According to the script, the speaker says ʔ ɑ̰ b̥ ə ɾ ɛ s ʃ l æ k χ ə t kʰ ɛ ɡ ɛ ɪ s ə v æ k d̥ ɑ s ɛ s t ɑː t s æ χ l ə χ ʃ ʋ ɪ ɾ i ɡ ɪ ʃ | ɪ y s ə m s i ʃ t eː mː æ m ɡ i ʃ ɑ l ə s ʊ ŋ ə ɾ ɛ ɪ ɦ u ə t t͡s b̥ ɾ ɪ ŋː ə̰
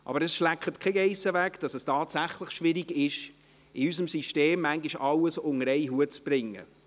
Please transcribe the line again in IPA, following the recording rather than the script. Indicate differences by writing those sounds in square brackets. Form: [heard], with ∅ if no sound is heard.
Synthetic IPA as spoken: ʔ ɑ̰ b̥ ə ɾ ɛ s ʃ l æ k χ ə t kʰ ɛ ɡ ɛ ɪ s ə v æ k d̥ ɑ s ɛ s t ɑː t s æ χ l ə χ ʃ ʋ ɪ ɾ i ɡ ɪ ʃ | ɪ y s ə m s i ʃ t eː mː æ [ŋ] ɡ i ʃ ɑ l ə s ʊ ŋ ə ɾ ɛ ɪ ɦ u ə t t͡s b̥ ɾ ɪ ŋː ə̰